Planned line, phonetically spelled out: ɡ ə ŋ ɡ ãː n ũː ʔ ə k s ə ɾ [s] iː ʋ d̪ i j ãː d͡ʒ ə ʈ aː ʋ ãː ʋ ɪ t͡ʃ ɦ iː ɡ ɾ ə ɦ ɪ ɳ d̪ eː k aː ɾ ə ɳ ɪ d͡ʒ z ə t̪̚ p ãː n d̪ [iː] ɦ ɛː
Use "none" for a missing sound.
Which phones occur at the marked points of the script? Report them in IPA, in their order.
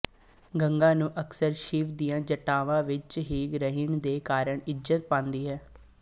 ʃ, iː

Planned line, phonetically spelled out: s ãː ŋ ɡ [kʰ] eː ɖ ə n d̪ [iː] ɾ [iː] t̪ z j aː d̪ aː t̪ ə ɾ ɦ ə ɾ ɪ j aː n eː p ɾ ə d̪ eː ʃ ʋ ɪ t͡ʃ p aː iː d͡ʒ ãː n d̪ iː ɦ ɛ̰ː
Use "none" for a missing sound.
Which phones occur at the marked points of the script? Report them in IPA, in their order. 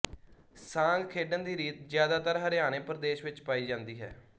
kʰ, iː, iː

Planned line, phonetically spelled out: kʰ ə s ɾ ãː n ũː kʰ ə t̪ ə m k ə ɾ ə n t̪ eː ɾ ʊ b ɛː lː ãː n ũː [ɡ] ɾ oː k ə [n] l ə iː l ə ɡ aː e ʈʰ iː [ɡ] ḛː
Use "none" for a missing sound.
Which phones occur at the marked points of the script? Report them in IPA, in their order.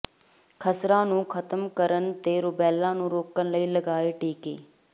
none, n, k

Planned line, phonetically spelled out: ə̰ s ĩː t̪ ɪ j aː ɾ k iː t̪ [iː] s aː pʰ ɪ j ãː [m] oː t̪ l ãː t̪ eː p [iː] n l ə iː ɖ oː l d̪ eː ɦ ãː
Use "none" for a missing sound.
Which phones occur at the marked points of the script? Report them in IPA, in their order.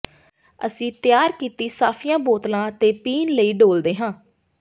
iː, b, iː

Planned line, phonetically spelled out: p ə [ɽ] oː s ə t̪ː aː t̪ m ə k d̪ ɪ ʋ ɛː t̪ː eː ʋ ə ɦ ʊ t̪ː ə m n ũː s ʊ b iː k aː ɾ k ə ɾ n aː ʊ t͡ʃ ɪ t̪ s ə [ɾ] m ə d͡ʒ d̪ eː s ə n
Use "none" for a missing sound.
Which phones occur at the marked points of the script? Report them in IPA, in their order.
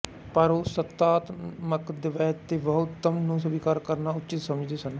ɾ, none

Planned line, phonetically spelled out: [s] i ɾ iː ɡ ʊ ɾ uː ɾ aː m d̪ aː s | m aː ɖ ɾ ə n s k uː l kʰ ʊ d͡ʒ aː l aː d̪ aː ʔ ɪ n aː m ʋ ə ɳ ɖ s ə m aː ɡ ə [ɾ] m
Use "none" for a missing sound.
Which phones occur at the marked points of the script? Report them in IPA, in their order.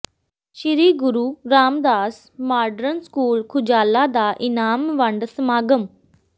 ʃ, none

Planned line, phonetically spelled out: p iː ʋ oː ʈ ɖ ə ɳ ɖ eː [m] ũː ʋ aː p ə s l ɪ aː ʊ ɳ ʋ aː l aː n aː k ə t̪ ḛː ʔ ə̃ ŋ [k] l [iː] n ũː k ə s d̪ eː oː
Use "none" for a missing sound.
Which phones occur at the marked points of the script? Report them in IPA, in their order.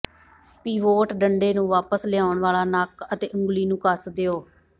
n, ɡ, iː

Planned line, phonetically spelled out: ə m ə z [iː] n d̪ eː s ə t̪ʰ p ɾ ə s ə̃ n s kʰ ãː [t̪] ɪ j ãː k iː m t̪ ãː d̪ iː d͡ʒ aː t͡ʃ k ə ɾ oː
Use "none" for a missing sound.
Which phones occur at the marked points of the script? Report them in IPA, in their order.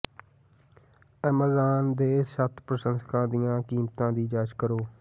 aː, d̪

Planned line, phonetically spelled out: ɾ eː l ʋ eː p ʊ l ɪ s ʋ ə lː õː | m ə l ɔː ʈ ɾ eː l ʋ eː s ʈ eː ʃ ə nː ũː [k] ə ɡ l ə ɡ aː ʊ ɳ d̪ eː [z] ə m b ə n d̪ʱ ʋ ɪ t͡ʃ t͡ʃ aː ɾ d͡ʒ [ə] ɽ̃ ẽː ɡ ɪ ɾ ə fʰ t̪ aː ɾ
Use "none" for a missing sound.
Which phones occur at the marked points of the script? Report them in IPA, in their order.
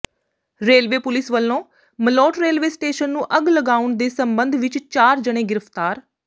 ʔ, s, ə

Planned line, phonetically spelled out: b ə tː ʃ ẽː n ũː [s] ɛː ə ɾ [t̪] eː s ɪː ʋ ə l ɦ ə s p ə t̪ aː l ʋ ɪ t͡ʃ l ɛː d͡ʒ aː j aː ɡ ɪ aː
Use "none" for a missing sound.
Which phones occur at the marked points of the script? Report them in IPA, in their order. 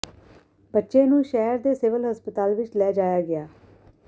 ʃ, d̪

